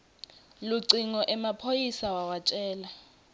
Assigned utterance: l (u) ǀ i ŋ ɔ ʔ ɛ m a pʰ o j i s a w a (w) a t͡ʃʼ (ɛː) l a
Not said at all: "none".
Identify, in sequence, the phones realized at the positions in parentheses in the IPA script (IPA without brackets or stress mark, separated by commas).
u, w, ɛː